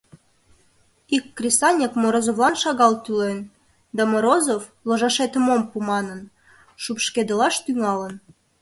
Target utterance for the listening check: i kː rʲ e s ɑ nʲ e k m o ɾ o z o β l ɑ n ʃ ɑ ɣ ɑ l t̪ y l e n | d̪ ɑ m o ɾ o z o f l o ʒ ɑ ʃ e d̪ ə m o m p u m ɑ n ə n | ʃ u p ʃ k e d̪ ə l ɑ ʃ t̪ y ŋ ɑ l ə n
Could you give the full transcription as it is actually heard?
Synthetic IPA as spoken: i kː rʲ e s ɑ nʲ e k m o ɾ o z o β l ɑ n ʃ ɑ ɣ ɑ l t̪ y l e n | d̪ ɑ m o ɾ o z o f l o ʒ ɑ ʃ e t̪ ə m o m p u m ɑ n ə n | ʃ u p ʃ k e d̪ ə l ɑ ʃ t̪ y ŋ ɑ l ə n